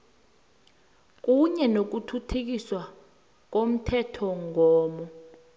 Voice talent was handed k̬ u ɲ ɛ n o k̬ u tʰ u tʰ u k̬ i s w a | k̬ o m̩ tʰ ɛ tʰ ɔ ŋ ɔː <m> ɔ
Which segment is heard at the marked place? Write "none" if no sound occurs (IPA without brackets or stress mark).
m